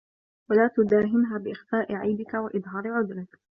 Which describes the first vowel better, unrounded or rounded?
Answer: unrounded